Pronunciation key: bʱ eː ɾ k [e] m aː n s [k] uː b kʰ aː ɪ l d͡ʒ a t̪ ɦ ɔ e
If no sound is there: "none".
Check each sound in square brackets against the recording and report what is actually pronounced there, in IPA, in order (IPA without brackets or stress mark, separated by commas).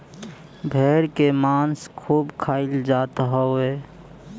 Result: e, kʰ